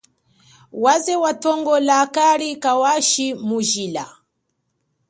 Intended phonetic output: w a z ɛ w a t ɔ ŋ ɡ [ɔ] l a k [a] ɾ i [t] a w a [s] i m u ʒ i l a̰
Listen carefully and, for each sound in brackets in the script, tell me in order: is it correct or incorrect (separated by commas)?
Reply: correct, correct, incorrect, incorrect